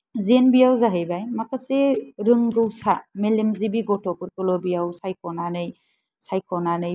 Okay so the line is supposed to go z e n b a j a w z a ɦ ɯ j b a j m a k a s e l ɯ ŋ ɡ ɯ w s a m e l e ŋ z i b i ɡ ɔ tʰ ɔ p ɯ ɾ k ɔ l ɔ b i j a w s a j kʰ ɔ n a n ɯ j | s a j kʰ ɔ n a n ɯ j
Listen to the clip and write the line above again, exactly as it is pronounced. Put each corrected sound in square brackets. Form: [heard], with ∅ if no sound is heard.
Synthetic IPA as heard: z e n b [i] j a w z a ɦ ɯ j b a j m a k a s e [ɾ] ɯ ŋ ɡ ɯ w s a m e l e [m] z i b i ɡ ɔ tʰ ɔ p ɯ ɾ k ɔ l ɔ b i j a w s a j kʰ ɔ n a n ɯ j | s a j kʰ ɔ n a n ɯ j